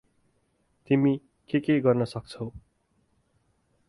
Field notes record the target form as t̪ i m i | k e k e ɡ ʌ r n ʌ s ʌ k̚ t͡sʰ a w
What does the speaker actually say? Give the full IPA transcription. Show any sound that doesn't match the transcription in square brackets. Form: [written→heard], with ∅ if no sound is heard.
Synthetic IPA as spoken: t̪ i m i | k e k e ɡ ʌ r n ʌ s ʌ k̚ t͡sʰ [a→ʌ] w